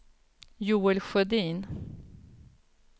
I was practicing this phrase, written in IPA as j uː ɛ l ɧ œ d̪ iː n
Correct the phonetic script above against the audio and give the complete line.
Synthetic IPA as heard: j uː ɛ l ɧ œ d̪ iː n